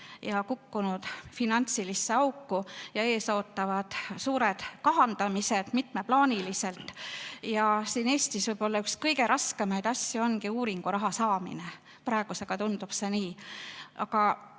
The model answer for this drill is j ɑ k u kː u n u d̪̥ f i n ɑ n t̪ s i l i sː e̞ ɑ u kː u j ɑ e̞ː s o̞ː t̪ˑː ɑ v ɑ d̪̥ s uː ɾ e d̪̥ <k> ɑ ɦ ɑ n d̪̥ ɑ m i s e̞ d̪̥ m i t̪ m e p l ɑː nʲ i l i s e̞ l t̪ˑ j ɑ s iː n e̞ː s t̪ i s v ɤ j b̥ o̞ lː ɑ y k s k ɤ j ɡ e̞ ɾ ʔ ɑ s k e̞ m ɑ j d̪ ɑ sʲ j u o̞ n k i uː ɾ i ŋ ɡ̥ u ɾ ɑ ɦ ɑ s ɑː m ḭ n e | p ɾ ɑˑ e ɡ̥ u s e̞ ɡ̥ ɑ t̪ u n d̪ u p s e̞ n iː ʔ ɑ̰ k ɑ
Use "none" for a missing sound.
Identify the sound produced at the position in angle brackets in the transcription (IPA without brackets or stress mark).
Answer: k